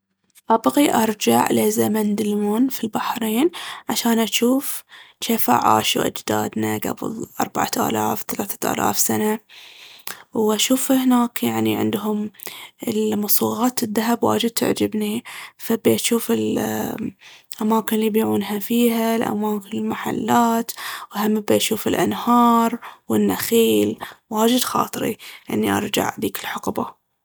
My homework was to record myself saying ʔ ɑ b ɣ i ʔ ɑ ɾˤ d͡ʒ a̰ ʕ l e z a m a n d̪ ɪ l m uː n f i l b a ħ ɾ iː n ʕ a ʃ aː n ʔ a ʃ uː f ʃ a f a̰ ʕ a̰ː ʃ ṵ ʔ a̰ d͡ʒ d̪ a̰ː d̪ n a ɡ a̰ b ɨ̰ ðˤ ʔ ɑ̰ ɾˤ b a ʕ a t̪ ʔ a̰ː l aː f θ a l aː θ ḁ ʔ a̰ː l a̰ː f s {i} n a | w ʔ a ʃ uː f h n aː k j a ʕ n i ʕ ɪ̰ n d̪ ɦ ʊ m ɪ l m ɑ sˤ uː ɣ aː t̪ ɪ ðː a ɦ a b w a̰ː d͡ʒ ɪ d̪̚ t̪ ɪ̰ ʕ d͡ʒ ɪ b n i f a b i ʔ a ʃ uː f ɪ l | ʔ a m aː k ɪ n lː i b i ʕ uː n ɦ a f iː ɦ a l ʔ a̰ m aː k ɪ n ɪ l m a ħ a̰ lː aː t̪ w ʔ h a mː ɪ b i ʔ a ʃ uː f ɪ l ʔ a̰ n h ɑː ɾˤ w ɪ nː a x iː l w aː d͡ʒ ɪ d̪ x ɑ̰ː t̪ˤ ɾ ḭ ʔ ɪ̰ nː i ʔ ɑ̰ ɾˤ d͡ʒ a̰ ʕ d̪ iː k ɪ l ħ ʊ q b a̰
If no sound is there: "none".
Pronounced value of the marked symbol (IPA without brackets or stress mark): a